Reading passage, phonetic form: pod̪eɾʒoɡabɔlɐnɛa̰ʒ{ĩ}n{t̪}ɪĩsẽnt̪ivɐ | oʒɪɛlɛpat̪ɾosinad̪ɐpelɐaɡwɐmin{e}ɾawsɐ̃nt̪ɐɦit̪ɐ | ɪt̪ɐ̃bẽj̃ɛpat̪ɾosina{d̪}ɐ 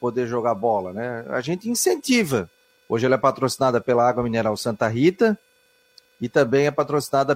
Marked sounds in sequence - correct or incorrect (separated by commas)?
incorrect, correct, correct, correct